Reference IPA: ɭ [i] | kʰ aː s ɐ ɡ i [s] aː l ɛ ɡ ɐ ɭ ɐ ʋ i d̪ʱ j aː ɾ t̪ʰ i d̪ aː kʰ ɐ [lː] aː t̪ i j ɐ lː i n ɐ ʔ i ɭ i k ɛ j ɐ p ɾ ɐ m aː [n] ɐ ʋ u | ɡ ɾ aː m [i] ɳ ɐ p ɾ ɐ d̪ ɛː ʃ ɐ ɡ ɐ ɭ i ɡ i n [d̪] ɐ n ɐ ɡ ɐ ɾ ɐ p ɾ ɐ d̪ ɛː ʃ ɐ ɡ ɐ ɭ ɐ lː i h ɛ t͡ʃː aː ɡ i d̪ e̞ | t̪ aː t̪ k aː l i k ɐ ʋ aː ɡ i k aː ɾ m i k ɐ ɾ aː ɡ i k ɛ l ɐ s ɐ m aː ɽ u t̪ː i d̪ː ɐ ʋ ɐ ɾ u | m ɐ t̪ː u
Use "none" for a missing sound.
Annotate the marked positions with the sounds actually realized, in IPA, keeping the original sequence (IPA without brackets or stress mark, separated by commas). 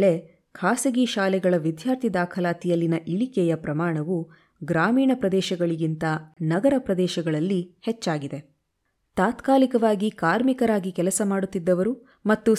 e, ʃ, l, ɳ, iː, t̪